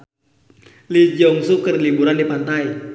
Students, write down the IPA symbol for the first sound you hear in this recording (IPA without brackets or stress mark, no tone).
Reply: l